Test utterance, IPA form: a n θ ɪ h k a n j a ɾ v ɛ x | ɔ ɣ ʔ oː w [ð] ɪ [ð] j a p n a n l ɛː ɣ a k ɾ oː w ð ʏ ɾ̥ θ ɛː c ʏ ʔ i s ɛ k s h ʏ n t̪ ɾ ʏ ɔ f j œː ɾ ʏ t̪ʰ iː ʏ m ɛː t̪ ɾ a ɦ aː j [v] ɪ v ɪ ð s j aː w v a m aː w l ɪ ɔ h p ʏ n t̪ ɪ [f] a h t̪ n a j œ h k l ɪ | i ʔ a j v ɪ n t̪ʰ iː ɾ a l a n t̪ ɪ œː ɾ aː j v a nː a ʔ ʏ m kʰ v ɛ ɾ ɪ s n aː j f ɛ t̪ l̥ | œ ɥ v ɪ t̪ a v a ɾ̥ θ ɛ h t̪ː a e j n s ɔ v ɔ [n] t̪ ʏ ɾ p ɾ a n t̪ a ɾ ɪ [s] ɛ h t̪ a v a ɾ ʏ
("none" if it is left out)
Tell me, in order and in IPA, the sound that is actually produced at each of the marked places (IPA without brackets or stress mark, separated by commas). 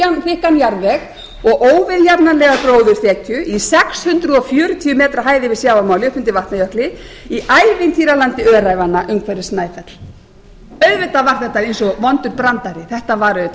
v, ð, ð, v, n, θ